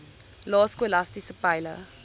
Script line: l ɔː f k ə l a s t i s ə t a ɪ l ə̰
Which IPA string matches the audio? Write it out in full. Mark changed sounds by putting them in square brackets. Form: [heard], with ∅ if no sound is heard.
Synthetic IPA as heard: l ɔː [s] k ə l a s t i s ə [p] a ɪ l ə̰